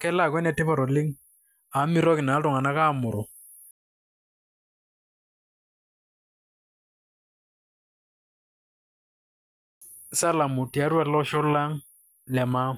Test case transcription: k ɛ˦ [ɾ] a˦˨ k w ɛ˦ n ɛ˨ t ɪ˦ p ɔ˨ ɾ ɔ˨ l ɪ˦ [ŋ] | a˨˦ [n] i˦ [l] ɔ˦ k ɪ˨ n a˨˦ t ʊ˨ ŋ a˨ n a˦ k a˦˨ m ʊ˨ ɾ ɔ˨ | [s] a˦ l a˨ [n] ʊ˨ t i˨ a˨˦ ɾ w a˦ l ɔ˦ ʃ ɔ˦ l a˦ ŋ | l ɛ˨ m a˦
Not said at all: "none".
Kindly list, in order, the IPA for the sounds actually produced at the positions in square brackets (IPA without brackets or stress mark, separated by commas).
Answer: l, ŋ, m, ɾ, s, m